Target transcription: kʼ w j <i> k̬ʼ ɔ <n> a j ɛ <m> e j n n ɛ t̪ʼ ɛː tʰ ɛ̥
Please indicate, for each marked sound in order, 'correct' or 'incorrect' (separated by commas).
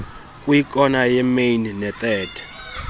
correct, correct, correct